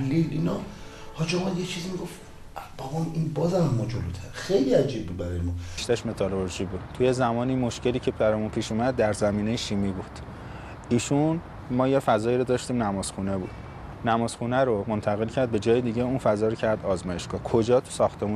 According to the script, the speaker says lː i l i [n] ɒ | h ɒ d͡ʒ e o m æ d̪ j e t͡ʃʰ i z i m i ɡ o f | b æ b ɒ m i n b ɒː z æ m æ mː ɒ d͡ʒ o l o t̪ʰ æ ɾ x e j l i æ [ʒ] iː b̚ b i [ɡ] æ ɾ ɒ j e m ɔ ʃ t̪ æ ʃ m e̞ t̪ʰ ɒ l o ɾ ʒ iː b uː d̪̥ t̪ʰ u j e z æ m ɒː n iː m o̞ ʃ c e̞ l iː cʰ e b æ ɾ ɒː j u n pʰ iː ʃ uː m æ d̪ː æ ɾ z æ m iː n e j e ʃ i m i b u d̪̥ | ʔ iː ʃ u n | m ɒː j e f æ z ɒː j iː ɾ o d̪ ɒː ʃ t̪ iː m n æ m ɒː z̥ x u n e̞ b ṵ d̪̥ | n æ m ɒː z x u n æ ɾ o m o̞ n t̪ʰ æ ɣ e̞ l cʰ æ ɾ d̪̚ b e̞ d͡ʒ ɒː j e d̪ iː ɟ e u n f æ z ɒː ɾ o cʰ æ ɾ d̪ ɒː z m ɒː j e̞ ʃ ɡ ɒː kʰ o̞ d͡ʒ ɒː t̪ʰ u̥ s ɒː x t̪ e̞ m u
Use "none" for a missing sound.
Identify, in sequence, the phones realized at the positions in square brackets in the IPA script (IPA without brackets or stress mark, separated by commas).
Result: n, d͡ʒ, b